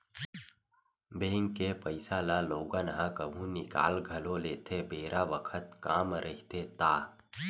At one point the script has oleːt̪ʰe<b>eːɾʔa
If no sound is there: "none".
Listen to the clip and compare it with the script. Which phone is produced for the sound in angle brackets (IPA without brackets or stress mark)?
b